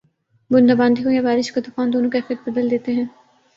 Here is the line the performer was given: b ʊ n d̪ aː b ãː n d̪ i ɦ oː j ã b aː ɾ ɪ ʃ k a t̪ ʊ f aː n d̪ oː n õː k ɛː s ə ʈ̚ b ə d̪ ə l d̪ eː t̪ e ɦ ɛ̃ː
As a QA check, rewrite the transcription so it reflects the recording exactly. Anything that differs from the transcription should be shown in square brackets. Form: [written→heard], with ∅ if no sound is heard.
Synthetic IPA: b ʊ n d̪ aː b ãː n d̪ i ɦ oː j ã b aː ɾ ɪ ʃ k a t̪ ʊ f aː n d̪ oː n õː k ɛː [s→f] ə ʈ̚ b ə d̪ ə l d̪ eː t̪ e ɦ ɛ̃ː